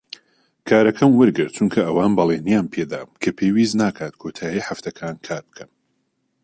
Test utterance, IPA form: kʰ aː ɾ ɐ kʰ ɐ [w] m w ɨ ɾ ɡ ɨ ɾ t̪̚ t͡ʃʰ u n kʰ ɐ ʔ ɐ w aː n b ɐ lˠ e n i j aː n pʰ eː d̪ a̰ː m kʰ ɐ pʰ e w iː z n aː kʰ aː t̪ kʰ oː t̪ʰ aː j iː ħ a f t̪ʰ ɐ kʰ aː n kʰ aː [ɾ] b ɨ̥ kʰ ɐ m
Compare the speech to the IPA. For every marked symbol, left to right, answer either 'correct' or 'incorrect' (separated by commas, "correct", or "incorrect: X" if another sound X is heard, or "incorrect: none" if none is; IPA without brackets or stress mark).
incorrect: none, correct